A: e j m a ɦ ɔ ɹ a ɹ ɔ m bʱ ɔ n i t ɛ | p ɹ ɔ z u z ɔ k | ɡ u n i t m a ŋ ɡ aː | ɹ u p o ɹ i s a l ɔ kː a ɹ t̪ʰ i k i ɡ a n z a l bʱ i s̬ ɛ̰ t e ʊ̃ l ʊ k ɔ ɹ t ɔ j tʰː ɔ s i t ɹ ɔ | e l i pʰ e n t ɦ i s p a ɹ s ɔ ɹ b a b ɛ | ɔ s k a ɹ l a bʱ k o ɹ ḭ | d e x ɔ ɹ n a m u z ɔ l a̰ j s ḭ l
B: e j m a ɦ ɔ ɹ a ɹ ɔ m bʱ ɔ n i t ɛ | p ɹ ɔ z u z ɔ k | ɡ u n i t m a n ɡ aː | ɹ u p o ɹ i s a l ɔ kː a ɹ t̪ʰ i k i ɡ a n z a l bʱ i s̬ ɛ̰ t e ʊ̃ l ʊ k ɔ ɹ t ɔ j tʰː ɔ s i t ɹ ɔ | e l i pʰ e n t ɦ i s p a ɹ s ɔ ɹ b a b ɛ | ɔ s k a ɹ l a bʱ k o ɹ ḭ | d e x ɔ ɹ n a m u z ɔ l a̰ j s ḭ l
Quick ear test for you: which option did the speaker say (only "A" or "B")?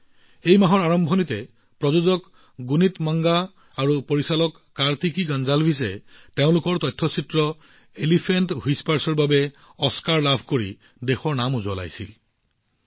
A